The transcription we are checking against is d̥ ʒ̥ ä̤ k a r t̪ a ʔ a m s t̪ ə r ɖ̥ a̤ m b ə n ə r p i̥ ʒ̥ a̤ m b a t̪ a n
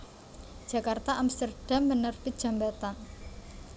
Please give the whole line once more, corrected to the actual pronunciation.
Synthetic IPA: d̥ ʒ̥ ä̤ k a r t̪ a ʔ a m s t̪ ə r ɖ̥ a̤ m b ə n ə r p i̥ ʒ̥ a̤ m b a t̪ a n